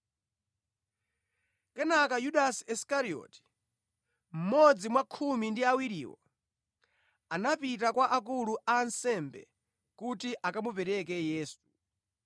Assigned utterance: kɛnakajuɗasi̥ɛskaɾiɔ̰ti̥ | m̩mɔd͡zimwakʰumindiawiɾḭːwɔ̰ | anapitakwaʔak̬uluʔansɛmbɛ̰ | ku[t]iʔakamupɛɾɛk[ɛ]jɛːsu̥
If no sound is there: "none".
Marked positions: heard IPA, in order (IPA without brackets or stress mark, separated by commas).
t, ɛ